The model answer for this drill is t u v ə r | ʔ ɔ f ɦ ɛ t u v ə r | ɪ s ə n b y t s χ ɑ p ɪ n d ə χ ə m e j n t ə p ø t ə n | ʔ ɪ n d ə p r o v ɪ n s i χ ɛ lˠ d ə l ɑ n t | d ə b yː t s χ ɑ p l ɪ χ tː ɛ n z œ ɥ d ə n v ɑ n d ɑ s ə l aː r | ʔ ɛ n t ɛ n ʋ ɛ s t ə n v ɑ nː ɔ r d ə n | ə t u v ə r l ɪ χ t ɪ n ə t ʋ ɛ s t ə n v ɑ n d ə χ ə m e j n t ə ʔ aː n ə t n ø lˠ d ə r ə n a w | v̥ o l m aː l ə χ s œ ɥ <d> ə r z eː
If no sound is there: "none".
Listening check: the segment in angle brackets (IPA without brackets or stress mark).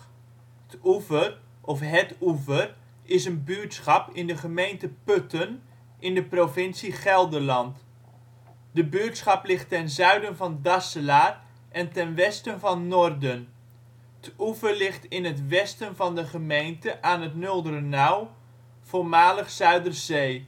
d